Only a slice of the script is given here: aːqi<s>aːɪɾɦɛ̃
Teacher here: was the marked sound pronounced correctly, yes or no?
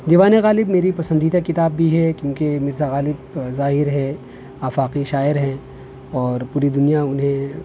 no